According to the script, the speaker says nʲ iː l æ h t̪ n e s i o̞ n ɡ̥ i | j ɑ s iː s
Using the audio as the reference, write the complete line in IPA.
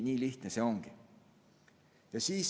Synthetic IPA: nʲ iː l i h t̪ n e s e o̞ ŋ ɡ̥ i | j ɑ s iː s